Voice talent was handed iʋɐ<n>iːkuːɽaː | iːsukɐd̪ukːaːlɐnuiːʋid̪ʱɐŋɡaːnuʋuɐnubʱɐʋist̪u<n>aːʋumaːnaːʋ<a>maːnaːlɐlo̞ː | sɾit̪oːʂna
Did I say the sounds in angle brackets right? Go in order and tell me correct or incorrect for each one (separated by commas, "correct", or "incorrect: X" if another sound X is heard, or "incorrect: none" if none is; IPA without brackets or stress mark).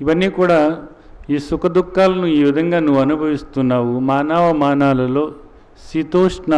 incorrect: nː, incorrect: nː, incorrect: ɐ